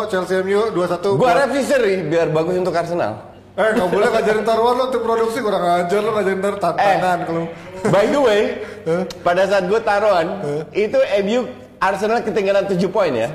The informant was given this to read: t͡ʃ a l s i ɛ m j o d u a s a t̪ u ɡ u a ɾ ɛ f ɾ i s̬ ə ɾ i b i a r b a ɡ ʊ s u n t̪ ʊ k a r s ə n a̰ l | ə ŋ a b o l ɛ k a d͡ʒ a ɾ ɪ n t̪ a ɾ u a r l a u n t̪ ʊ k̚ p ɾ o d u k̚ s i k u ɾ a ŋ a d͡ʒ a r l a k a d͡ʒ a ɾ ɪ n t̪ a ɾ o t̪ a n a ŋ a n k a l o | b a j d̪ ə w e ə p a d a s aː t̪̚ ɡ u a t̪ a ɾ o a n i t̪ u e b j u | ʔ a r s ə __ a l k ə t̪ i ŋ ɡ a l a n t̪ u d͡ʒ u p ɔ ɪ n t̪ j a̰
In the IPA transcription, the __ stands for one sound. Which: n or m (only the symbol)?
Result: n